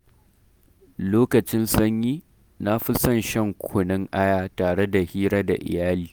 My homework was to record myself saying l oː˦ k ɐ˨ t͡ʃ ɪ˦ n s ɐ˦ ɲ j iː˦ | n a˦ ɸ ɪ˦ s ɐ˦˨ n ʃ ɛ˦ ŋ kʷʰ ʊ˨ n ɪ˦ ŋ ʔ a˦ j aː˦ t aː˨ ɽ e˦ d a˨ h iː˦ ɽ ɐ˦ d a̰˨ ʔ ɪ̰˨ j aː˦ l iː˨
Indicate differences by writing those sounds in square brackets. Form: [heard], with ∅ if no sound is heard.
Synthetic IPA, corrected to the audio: l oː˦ k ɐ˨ t͡ʃ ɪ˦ n s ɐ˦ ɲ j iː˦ | n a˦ ɸ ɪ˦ s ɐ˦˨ n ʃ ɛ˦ ŋ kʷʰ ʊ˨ n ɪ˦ ŋ ʔ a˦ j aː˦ t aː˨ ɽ e˦ d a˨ h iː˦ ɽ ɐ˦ d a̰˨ ʔ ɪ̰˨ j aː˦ l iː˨